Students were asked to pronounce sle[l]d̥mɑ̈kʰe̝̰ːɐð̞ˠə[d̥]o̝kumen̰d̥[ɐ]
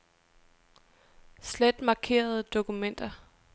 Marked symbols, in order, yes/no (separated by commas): no, yes, yes